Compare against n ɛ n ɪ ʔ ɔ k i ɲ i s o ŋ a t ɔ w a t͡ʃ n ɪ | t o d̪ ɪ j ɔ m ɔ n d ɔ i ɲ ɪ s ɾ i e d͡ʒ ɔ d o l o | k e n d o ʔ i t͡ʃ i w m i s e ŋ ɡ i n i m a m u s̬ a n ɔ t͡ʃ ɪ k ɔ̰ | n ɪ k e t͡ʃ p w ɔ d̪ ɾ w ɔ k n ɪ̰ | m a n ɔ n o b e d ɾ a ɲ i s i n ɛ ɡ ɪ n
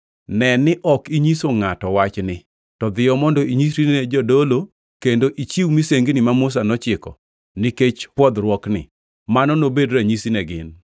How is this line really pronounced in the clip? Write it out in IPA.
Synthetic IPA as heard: n ɛ n ɪ ʔ ɔ k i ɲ i s o ŋ a t ɔ w a t͡ʃ n ɪ | t ɔ d̪ ɪ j ɔ m ɔ n d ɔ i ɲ i s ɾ i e d͡ʒ ɔ d o l o | k e n d o ʔ i t͡ʃ i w m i s e ŋ ɡ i n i m a m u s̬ a n ɔ t͡ʃ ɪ k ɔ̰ | n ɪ k e t͡ʃ p w ɔ d̪ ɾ w ɔ k n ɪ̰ | m a n ɔ n o b e d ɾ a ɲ i s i n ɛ ɡ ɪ n